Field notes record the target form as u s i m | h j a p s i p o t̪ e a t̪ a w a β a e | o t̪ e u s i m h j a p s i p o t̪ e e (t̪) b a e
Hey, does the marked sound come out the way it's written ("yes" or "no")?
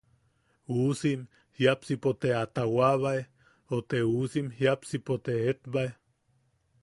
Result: yes